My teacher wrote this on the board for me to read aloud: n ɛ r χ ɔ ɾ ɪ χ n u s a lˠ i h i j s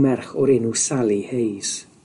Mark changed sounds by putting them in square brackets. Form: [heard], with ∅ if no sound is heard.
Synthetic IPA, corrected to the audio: [m] ɛ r χ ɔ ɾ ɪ [∅] n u s a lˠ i h [e] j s